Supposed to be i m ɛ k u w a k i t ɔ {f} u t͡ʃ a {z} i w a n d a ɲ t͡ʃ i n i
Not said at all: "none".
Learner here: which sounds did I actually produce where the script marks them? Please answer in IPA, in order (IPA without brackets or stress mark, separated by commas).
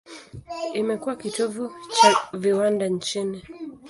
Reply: v, v